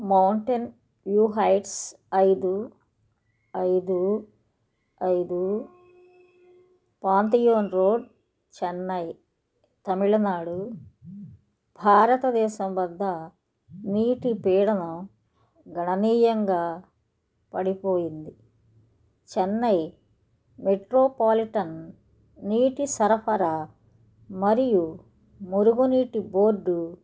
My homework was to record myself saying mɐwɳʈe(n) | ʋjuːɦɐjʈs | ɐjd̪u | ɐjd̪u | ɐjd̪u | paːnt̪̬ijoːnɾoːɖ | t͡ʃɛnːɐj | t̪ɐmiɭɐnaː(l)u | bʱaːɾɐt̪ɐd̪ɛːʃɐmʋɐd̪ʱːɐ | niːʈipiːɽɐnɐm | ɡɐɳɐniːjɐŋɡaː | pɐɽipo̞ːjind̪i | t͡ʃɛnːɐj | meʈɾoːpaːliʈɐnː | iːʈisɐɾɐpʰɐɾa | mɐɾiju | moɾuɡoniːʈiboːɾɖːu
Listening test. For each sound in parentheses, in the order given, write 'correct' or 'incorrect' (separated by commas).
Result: correct, incorrect